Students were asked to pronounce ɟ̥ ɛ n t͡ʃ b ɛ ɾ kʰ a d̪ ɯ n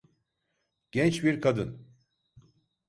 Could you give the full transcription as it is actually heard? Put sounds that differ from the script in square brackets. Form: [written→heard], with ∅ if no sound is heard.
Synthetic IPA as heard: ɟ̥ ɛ n t͡ʃ b [ɛ→i] ɾ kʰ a d̪ ɯ n